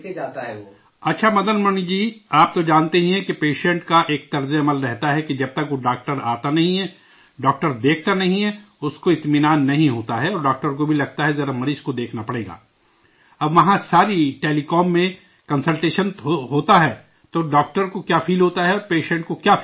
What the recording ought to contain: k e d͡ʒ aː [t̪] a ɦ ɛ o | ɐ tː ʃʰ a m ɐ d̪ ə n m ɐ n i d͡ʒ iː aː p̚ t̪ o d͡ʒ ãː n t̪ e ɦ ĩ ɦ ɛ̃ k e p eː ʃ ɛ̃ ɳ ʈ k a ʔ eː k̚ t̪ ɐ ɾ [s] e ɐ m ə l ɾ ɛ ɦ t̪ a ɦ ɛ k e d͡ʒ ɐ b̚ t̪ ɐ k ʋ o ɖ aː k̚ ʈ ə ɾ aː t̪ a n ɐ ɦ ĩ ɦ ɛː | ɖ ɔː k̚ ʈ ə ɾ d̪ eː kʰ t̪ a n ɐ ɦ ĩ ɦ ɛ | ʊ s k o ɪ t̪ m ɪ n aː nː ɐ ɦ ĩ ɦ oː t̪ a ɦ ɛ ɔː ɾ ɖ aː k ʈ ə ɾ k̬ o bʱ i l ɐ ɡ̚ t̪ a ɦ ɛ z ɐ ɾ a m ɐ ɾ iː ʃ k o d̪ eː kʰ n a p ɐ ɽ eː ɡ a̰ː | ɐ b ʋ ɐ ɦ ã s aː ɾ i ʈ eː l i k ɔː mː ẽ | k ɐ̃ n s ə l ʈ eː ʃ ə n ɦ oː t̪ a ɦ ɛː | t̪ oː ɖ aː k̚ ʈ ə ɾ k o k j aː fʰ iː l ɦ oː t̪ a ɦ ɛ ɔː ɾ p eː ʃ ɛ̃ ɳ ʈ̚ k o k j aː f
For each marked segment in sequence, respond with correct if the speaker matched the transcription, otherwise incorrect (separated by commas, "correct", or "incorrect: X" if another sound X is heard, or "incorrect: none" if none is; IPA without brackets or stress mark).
correct, incorrect: z